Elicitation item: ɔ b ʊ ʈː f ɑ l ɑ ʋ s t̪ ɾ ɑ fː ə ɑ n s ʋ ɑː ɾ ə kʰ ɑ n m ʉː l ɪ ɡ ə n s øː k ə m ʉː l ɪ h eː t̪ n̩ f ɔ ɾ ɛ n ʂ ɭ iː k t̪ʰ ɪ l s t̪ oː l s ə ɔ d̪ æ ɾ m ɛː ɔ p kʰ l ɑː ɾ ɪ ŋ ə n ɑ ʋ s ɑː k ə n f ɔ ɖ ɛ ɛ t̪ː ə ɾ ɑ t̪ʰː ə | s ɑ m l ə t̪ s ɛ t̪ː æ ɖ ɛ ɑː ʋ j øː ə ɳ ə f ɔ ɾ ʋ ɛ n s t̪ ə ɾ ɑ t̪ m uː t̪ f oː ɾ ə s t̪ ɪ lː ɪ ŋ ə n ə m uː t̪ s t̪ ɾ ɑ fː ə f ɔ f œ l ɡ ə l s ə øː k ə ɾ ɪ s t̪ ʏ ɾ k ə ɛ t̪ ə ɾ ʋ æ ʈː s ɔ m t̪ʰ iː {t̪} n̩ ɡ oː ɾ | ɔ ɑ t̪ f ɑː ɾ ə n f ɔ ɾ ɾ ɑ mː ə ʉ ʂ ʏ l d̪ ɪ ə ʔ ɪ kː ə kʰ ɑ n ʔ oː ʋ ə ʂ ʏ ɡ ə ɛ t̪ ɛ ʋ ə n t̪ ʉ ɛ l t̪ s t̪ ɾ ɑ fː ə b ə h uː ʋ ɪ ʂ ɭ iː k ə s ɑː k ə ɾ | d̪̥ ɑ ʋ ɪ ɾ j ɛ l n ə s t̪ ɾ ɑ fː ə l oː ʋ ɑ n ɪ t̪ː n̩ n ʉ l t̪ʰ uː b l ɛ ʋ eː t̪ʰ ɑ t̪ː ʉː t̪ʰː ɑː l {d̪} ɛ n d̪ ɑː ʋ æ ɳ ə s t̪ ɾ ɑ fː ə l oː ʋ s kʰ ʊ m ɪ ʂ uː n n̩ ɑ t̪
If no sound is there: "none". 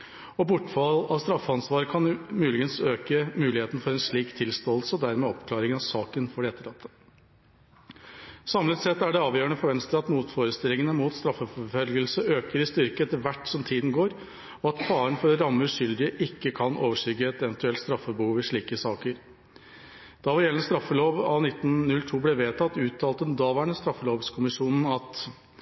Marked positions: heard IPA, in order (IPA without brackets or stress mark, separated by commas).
d̪, t̪